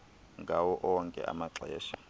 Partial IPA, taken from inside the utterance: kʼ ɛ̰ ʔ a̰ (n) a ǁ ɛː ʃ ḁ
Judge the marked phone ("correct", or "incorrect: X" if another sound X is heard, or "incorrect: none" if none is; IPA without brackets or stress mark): incorrect: m